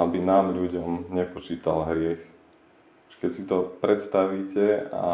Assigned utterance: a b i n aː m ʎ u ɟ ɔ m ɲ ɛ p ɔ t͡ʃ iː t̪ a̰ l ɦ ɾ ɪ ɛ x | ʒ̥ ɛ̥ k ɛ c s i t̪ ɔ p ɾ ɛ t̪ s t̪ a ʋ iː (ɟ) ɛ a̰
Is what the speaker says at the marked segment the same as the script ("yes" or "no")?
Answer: no